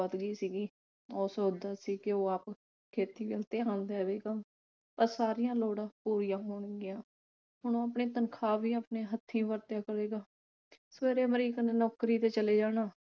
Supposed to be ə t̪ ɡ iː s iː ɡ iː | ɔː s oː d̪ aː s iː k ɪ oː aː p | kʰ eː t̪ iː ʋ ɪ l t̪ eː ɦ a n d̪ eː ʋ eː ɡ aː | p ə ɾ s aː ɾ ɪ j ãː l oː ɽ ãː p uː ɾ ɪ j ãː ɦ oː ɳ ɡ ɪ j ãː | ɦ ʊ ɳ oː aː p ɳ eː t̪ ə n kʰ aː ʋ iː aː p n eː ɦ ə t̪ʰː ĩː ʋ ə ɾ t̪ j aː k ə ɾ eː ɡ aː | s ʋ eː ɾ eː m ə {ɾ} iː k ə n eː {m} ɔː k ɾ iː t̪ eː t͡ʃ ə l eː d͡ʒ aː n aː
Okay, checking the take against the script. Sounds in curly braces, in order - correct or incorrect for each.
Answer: correct, incorrect: n

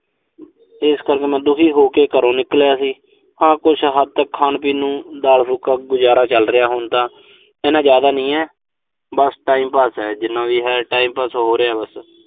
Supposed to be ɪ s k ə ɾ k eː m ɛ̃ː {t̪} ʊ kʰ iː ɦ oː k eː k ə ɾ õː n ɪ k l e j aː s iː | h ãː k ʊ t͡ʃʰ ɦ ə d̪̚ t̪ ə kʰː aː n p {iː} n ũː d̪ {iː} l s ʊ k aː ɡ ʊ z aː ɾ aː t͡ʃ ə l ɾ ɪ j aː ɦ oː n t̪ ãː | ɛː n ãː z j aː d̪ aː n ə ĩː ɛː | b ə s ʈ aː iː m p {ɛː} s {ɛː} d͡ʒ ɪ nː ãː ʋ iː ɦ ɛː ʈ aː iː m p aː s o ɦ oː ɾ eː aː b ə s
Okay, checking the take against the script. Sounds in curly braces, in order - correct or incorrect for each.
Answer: incorrect: d̪, correct, incorrect: aː, incorrect: aː, correct

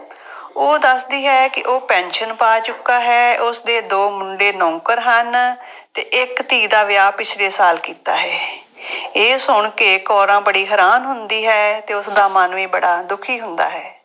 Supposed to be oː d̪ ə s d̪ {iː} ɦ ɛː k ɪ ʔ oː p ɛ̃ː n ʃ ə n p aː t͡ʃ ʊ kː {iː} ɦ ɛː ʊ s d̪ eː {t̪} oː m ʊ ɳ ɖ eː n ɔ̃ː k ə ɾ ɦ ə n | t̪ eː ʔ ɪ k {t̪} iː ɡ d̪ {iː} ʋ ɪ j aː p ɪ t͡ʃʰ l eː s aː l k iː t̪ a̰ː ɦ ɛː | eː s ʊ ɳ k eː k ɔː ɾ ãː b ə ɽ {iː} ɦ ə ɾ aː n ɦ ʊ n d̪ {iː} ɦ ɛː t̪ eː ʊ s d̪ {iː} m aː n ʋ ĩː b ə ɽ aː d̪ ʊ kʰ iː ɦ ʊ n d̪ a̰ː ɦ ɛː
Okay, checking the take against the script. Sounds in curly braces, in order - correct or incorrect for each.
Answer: correct, incorrect: aː, incorrect: d̪, correct, incorrect: aː, correct, correct, incorrect: aː

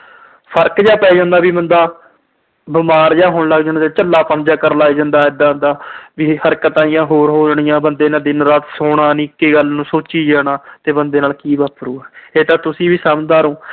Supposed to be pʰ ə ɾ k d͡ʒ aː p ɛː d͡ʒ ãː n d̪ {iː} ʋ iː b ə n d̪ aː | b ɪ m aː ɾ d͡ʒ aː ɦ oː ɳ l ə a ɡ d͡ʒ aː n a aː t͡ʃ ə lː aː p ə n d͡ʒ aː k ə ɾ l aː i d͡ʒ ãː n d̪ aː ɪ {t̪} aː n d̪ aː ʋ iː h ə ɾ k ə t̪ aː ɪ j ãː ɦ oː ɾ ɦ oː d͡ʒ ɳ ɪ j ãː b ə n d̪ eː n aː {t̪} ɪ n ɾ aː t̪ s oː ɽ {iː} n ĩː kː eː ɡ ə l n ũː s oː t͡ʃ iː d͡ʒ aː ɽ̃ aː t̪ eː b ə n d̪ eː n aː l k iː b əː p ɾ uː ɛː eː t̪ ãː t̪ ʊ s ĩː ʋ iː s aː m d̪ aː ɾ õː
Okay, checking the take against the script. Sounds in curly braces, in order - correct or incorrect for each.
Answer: incorrect: aː, incorrect: d̪, incorrect: d̪, incorrect: aː

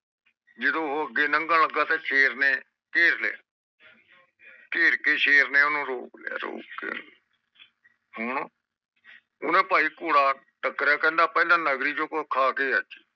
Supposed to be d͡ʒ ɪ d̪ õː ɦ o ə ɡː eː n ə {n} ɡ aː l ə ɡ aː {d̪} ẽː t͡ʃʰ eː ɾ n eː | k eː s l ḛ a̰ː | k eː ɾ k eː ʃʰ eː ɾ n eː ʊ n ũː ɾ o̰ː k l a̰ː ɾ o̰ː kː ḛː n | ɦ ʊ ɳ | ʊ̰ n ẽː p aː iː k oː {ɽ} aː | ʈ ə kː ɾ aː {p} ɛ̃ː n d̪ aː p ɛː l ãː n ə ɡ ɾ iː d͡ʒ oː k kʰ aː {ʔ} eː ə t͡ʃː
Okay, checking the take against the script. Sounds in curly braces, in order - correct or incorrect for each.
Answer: incorrect: ŋ, incorrect: t̪, correct, incorrect: k, incorrect: k

